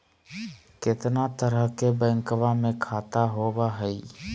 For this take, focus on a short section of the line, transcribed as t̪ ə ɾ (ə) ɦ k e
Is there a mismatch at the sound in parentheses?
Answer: no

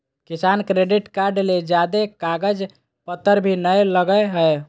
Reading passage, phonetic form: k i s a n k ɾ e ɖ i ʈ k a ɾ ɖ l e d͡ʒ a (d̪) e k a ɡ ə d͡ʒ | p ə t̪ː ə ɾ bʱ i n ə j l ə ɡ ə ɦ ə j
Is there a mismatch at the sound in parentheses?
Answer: no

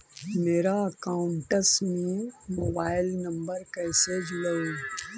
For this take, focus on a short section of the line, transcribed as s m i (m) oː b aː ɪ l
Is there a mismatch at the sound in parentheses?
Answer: no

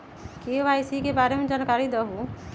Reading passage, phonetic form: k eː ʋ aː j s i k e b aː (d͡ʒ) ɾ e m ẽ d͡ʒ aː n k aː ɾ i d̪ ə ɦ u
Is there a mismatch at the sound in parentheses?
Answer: yes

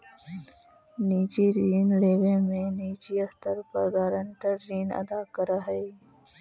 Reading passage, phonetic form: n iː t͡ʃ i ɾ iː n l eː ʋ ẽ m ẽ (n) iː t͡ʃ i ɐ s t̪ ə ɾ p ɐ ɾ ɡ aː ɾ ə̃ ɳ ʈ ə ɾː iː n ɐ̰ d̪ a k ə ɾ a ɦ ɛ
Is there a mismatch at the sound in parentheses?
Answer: no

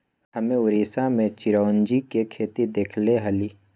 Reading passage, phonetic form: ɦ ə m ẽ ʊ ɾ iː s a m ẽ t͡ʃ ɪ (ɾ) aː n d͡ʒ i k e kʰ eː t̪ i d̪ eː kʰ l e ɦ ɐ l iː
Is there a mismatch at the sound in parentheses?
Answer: no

